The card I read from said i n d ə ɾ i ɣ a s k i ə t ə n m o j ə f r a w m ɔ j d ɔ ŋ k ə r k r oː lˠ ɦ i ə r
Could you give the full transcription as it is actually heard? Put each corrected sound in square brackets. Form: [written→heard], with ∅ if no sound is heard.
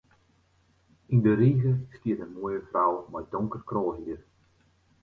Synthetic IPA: i n d ə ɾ i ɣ [a→ə] s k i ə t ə n m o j ə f r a w m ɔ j d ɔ ŋ k ə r k r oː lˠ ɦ i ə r